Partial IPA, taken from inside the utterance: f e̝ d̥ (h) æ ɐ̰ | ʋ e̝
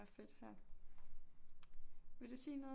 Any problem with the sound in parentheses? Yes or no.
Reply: no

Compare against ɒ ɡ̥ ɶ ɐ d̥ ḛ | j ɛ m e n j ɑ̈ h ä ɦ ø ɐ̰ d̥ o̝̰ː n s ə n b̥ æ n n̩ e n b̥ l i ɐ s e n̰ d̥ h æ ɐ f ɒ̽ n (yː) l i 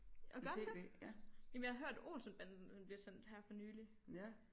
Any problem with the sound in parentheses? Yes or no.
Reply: no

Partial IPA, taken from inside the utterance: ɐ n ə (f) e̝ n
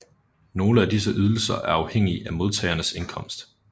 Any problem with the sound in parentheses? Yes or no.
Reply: yes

